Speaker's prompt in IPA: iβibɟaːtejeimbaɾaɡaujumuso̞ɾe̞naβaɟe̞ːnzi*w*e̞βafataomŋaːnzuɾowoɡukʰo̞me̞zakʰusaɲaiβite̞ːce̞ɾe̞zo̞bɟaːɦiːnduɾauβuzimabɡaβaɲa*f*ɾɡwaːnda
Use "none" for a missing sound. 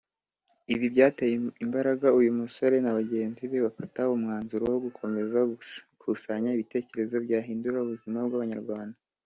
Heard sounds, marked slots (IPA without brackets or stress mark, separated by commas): β, none